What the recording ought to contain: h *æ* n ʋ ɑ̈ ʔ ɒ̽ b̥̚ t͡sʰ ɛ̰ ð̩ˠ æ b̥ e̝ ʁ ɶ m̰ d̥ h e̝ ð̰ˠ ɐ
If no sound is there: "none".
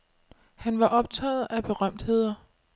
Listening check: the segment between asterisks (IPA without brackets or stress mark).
æ